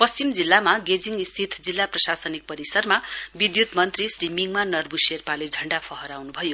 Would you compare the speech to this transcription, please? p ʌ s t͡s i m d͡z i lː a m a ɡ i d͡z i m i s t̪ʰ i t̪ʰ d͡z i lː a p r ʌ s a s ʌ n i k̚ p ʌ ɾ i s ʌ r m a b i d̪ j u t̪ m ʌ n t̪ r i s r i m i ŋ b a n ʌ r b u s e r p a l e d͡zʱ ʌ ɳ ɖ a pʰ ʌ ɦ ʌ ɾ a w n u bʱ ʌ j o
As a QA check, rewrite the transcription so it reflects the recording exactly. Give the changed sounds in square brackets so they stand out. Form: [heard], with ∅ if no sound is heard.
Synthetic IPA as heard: p ʌ s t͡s i m d͡z i lː a m a ɡ [e] d͡z i [ŋ] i s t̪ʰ i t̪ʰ d͡z i lː a p r ʌ s a s ʌ n i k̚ p ʌ ɾ i s ʌ r m a b i d̪ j u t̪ m ʌ n t̪ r i s r i m i ŋ [m] a n ʌ r b u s e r p a l e d͡zʱ ʌ ɳ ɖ a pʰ ʌ ɦ ʌ ɾ a w n u bʱ ʌ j o